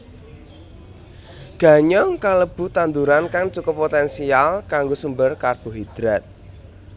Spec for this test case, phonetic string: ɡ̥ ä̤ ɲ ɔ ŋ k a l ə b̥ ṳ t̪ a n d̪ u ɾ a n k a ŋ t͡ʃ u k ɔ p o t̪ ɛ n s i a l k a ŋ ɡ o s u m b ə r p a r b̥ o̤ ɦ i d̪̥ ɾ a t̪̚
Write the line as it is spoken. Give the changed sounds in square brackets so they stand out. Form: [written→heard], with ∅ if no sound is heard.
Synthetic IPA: ɡ̥ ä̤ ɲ ɔ ŋ k a l ə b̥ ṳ t̪ a n d̪ u ɾ a n k a ŋ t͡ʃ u k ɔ p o t̪ ɛ n s i a l k a ŋ ɡ o s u m b ə r [p→k] a r b̥ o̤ ɦ i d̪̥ ɾ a t̪̚